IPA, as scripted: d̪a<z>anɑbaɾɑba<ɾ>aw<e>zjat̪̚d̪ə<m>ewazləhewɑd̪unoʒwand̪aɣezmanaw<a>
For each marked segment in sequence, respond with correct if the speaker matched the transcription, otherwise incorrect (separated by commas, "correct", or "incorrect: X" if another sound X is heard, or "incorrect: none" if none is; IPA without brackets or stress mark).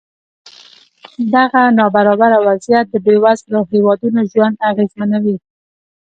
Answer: incorrect: ɣ, correct, incorrect: a, incorrect: b, incorrect: i